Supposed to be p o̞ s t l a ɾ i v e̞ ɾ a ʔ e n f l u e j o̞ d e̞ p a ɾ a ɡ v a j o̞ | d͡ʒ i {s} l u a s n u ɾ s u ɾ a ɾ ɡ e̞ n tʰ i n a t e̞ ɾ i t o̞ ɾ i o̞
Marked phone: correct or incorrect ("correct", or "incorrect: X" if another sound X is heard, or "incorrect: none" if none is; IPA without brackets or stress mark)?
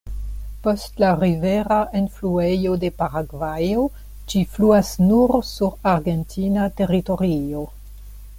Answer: incorrect: f